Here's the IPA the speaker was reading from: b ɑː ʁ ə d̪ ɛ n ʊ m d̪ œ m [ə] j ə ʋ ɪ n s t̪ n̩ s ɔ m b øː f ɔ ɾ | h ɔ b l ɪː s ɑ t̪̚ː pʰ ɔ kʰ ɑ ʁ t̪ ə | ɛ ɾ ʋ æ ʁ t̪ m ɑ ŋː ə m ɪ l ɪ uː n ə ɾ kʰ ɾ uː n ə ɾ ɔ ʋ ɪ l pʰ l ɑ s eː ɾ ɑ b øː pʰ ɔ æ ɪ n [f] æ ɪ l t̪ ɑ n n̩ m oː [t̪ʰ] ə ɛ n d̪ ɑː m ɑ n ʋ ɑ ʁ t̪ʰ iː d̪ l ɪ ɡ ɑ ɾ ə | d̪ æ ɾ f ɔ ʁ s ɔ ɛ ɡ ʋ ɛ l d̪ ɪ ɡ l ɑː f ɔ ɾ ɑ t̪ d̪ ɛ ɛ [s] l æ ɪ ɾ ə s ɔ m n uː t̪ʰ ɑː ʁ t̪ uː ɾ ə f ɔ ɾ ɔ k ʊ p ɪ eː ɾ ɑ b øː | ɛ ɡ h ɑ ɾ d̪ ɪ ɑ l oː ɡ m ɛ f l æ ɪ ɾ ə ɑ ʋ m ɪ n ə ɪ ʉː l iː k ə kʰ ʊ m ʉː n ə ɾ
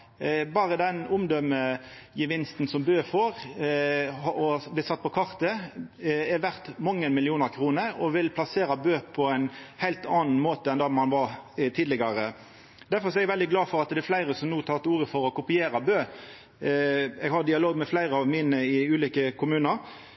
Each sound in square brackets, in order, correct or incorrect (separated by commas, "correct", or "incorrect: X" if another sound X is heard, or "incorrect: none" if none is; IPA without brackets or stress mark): correct, incorrect: h, incorrect: t̪, incorrect: f